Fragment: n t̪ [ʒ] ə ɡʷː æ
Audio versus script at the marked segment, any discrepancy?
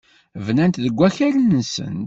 yes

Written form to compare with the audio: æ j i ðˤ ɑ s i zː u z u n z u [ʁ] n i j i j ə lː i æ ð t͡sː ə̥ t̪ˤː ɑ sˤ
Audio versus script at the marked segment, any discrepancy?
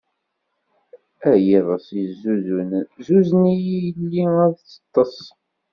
yes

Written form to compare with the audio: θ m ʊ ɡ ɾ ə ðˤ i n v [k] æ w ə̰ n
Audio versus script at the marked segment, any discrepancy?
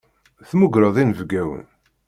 yes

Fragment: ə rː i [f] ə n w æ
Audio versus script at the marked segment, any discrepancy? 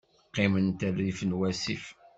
no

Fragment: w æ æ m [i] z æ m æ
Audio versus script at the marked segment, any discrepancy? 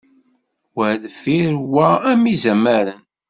no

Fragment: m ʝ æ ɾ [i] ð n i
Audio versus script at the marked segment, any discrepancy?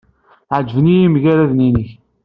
yes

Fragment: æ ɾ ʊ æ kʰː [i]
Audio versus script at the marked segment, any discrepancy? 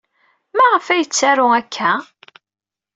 yes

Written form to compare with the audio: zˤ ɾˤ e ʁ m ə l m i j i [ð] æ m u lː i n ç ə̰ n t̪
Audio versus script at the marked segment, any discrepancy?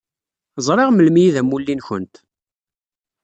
no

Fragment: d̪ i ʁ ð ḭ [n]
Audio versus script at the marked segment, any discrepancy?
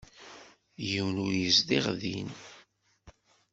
no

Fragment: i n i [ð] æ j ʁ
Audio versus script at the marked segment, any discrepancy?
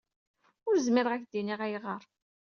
yes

